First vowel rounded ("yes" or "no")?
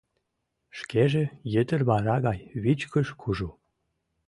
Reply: no